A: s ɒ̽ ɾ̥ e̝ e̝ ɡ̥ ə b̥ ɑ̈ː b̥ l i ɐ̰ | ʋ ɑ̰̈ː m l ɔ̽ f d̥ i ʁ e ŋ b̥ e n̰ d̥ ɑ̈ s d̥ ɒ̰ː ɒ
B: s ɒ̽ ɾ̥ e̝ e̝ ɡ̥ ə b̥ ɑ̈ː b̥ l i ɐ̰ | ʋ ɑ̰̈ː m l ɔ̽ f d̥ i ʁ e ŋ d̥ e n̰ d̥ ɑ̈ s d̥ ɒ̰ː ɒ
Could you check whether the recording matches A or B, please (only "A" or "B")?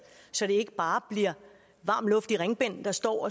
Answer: A